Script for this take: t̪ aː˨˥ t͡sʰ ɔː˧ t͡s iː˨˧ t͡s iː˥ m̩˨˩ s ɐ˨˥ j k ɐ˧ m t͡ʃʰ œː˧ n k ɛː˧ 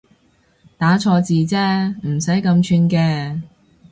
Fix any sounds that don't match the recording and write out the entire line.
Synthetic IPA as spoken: t̪ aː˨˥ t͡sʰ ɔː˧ t͡s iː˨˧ t͡s ɛː˥ m̩˨˩ s ɐ˨˥ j k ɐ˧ m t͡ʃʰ yː˧ n k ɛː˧